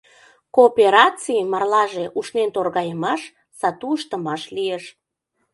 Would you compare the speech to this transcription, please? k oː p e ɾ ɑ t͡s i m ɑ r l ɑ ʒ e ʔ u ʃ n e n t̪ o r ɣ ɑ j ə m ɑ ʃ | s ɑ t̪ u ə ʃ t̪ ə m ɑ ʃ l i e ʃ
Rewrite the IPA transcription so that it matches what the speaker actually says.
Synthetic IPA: k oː p e ɾ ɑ t͡s i m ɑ r l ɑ ʒ e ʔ u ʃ n e n t̪ o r ɣ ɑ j ə m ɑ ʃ | s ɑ t̪ u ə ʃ t̪ ə m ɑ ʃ l i e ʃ